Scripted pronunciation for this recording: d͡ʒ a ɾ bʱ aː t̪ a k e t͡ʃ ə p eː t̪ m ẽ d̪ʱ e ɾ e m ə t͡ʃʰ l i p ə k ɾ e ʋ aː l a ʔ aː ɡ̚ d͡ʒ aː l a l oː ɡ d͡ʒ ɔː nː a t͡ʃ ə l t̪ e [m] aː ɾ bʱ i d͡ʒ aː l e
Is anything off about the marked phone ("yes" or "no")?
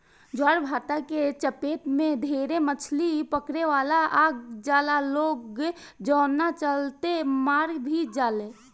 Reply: no